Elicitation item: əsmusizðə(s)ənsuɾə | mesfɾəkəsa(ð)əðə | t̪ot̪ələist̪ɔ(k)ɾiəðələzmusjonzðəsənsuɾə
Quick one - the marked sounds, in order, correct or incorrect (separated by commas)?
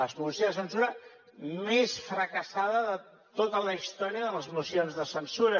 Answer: correct, correct, incorrect